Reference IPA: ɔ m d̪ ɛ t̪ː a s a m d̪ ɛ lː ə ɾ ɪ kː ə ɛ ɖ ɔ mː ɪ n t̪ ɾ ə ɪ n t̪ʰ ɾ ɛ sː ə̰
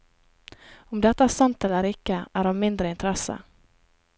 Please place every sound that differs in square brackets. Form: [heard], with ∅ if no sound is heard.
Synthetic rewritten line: ɔ m d̪ ɛ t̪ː a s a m [t̪] ɛ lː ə ɾ ɪ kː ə [æ] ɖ ɔ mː ɪ n [d̪] ɾ ə ɪ n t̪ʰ ɾ ɛ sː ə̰